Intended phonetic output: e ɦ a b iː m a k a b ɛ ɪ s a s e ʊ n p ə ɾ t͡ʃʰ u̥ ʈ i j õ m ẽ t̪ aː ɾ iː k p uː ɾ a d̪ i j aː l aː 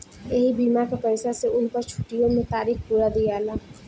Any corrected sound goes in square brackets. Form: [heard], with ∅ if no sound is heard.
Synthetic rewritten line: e ɦ [i] b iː m a k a [p] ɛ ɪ s a s e ʊ n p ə ɾ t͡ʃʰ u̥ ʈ i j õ m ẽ t̪ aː ɾ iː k p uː ɾ a d̪ i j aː l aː